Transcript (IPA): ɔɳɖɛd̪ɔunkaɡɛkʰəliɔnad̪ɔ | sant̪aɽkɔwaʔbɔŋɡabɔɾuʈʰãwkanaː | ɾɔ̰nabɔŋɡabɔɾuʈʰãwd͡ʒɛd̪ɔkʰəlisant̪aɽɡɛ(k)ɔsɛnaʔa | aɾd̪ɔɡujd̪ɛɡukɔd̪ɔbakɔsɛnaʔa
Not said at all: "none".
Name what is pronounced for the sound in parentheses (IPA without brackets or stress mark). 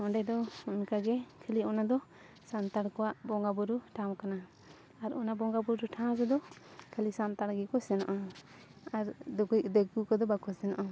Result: k